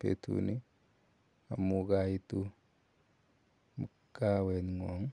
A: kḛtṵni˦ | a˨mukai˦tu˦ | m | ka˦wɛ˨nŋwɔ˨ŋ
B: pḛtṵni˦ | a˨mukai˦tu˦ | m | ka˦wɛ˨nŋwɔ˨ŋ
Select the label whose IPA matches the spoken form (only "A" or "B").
B